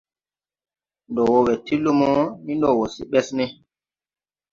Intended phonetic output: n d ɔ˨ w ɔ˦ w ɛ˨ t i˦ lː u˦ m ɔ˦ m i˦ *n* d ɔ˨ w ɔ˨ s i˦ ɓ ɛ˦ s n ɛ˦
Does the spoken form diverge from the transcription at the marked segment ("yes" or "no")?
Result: no